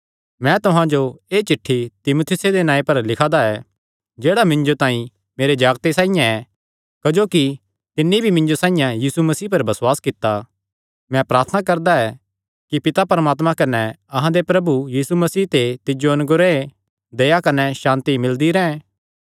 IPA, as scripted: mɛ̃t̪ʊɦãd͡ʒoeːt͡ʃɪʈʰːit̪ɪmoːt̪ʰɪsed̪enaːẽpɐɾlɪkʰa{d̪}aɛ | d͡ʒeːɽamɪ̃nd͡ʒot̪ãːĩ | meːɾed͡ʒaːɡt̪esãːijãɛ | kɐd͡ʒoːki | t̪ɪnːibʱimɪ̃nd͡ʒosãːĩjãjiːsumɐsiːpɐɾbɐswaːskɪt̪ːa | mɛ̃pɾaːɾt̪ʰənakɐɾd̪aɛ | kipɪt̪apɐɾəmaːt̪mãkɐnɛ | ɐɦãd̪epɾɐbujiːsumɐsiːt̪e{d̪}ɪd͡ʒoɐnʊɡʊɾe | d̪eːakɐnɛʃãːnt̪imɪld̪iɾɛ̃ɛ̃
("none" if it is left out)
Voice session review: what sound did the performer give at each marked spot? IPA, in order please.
d̪, t̪

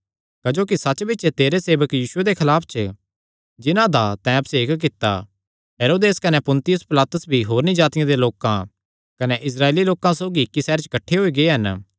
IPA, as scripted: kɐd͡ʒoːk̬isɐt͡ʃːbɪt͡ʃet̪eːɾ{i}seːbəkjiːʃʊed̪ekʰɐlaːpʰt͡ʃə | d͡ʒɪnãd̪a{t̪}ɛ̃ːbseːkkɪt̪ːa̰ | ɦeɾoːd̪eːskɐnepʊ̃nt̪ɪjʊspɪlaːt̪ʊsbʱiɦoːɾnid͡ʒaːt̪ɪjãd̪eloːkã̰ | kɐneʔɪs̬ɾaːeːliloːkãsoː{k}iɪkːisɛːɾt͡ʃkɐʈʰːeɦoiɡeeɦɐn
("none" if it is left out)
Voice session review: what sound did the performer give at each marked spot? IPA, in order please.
e, t̪, ɡ

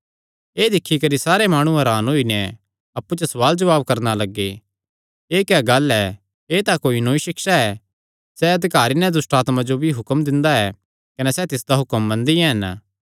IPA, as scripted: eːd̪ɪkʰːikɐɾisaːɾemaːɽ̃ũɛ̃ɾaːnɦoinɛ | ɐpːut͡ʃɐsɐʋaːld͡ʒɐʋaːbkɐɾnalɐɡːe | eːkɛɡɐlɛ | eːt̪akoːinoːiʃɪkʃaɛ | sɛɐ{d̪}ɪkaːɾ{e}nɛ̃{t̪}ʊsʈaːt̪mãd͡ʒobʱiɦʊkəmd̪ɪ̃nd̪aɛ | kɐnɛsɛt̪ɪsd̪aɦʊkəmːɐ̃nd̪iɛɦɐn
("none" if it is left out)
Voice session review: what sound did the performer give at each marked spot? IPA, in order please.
d̪, i, d̪

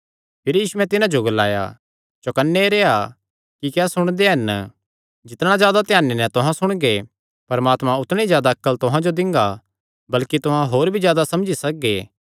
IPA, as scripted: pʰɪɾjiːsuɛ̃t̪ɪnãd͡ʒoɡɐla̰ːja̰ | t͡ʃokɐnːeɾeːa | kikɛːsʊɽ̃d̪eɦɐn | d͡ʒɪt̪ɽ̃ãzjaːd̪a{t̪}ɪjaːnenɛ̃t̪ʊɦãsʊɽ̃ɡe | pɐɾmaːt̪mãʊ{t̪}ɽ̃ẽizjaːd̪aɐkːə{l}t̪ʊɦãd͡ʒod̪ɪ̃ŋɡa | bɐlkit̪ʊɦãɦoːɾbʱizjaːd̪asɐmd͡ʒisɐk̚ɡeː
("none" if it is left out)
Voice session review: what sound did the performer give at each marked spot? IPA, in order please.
t̪, t̪, l

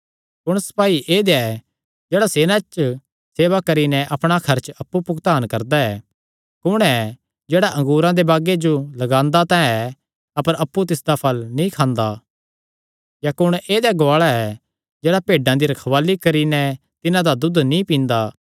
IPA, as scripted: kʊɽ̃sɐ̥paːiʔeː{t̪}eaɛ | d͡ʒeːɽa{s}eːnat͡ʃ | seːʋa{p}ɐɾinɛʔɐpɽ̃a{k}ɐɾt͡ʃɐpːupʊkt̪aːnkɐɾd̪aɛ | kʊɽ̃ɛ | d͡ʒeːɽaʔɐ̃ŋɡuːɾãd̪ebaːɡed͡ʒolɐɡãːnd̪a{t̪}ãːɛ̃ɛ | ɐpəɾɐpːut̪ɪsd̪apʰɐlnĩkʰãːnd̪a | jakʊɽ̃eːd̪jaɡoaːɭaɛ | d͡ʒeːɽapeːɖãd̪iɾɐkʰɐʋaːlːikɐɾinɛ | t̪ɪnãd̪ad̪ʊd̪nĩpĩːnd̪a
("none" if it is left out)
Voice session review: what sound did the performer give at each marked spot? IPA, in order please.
d̪, s, k, kʰ, t̪

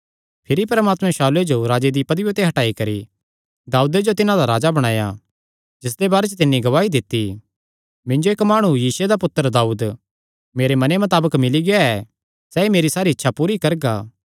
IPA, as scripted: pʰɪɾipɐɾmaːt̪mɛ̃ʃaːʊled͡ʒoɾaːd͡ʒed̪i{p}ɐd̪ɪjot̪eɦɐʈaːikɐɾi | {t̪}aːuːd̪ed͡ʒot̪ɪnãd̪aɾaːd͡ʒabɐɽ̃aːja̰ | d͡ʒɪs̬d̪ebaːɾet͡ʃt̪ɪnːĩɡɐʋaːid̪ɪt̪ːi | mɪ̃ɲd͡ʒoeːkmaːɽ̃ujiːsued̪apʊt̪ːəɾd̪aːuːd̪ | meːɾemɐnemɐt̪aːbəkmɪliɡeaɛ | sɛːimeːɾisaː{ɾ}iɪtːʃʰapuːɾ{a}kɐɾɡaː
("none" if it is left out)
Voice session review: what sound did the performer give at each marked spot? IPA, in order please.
p, d̪, ɾ, i

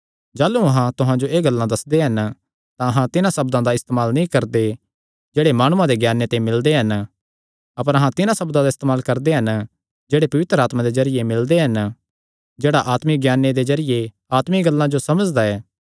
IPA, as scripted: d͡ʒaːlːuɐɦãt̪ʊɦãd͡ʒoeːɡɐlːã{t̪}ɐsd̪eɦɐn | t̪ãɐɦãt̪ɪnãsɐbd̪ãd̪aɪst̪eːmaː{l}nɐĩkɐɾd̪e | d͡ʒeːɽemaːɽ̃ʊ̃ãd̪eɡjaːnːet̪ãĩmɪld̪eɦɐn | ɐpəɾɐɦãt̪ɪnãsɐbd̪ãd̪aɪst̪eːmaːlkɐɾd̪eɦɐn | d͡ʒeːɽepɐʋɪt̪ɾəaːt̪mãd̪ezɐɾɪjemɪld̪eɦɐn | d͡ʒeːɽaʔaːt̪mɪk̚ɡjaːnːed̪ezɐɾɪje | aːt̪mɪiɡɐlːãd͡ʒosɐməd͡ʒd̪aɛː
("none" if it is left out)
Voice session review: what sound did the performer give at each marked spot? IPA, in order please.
d̪, l

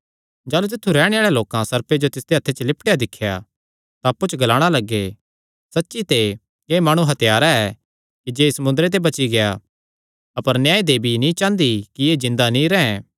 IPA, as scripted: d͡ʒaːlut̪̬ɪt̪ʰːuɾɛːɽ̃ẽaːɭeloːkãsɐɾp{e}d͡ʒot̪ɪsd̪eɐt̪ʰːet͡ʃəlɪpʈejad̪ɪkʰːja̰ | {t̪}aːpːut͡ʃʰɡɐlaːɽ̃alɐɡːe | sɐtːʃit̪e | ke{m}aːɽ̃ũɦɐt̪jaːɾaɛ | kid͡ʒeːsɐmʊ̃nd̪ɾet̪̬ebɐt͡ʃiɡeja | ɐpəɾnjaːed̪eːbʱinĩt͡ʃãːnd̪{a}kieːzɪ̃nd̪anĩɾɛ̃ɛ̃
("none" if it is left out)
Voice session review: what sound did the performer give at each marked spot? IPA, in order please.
e, t̪, m, i

